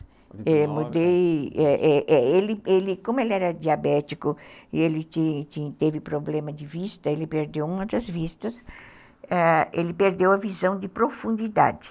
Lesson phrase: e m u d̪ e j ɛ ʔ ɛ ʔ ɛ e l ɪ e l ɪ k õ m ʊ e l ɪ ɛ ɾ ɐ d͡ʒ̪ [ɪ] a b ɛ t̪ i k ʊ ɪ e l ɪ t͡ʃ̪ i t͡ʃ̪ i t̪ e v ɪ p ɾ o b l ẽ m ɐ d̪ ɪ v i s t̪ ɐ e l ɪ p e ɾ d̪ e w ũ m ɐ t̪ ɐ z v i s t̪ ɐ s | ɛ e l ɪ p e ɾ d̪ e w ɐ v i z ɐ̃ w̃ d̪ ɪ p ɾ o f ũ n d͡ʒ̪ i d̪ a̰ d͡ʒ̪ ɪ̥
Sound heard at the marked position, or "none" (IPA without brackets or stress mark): i